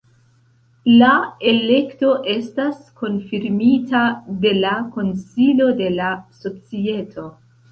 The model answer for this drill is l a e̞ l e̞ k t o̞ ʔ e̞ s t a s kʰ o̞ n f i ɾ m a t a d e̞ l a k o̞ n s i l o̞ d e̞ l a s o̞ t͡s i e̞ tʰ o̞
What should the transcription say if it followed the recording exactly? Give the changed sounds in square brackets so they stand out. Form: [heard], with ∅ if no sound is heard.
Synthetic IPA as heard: l a e̞ l e̞ k t o̞ ʔ e̞ s t a s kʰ o̞ n f i ɾ m [i] t a d e̞ l a k o̞ n s i l o̞ d e̞ l a s o̞ t͡s i e̞ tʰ o̞